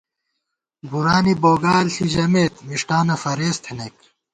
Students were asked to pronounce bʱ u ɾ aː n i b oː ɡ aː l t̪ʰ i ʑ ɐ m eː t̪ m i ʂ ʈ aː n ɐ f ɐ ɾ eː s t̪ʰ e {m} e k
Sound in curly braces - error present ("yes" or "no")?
yes